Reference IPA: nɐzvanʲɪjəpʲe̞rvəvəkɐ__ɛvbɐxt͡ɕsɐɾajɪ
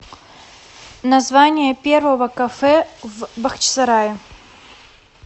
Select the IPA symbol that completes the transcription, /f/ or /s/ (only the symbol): f